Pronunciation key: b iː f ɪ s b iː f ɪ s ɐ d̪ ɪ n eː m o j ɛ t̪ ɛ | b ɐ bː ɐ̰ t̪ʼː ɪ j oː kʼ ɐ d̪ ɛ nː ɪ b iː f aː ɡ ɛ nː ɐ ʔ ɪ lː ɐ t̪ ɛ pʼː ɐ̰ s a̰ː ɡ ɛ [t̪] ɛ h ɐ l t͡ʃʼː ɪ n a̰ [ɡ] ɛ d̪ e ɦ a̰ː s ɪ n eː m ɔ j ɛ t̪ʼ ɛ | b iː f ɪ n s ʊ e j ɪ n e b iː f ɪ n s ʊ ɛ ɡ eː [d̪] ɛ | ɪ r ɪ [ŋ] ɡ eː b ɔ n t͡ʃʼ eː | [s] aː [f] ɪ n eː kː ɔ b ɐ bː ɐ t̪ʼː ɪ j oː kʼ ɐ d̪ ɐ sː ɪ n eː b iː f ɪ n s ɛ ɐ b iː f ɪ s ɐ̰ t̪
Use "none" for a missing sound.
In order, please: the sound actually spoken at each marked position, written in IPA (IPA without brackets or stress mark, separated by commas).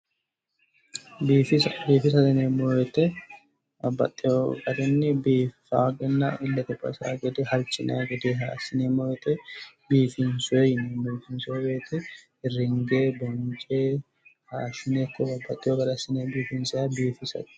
d̪, ɡ, t̪, ŋ, h, ʃ